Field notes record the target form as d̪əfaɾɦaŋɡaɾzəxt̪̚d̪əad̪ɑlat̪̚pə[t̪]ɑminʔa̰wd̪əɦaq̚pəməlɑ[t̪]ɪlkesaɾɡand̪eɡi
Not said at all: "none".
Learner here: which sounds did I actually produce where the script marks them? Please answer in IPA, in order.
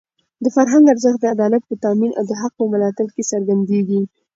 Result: t̪, t̪

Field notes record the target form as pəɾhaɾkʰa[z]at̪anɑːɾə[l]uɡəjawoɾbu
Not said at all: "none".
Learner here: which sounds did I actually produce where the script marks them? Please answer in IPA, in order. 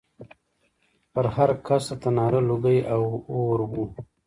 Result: s, l

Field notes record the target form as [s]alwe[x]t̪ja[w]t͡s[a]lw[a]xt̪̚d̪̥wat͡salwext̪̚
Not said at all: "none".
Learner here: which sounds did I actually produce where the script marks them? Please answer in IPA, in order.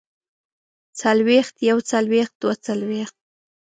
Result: t͡s, x, w, a, e

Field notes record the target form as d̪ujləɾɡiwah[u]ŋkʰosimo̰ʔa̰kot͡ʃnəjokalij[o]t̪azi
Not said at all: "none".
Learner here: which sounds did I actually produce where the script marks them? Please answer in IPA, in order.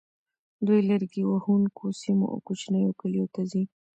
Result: u, o

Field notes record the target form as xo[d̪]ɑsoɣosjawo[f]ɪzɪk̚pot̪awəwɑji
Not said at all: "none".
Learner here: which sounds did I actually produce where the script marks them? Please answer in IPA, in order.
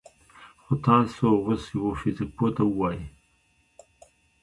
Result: t̪, f

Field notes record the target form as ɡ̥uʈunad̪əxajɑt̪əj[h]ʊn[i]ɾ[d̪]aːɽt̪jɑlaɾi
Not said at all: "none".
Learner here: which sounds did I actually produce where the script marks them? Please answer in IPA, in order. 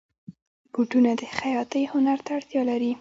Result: h, a, t̪

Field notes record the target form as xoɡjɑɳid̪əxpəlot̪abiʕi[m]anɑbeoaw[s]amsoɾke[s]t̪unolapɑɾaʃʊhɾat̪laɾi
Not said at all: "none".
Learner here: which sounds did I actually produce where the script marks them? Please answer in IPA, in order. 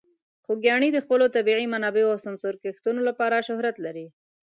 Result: m, s, x

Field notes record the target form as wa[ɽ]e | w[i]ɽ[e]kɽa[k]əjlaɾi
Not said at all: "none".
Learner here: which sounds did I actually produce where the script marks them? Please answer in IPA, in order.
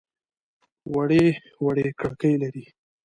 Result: ɽ, a, e, k

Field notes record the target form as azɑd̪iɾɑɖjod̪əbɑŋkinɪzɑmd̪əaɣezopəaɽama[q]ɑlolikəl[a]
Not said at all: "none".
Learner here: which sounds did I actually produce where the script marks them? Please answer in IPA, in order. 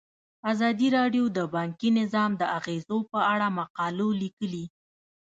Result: q, i

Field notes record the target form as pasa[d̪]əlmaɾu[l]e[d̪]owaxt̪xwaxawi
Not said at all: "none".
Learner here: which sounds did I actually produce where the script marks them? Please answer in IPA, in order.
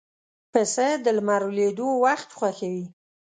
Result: d̪, l, d̪

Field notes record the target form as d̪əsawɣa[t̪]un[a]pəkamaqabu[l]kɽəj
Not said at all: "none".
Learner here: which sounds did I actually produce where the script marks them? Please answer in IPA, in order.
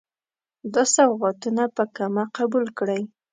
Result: t̪, a, l

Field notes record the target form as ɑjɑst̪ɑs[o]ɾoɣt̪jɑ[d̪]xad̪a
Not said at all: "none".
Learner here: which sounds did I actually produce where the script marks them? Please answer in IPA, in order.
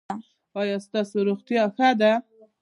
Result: o, none

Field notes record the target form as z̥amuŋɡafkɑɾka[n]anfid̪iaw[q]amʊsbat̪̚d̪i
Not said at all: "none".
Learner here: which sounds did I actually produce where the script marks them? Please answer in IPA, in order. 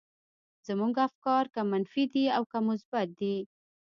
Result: m, k

